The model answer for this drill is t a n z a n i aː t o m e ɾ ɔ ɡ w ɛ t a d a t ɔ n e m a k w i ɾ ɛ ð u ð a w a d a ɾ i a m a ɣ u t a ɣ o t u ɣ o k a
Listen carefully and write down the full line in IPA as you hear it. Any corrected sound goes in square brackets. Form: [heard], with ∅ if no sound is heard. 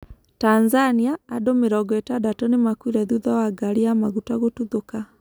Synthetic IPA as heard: t a n z a n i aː [d] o m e ɾ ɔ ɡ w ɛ t a d a t ɔ n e m a k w i ɾ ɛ ð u ð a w a [ɡ] a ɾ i a m a ɣ u t a ɣ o t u [ð] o k a